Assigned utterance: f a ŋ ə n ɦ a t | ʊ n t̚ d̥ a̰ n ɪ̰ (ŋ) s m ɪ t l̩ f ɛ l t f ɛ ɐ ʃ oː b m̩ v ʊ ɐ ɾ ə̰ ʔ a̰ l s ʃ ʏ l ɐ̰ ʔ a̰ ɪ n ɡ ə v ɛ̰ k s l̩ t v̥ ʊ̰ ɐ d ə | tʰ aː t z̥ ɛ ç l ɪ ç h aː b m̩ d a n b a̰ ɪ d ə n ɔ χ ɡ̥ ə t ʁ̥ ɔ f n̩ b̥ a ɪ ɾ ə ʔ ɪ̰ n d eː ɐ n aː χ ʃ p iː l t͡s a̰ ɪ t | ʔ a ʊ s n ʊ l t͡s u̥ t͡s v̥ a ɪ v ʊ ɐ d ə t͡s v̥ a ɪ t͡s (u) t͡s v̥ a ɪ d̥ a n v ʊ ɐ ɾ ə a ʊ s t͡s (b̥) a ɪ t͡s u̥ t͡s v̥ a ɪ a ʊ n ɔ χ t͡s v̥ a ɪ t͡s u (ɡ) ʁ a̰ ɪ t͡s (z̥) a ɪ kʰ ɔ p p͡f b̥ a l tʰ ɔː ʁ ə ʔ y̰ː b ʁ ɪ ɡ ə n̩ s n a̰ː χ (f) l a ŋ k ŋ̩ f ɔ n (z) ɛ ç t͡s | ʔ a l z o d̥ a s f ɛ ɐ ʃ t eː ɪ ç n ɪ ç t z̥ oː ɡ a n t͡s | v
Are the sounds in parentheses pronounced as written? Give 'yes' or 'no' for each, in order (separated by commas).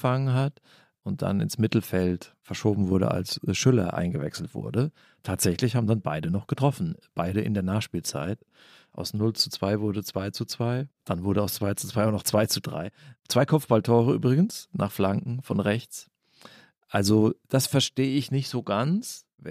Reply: no, yes, no, no, no, yes, no